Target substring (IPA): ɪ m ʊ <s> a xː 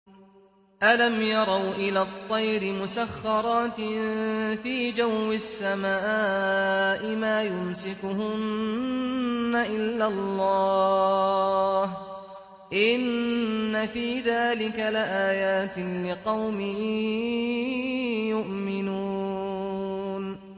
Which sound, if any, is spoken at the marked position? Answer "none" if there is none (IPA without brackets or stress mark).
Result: s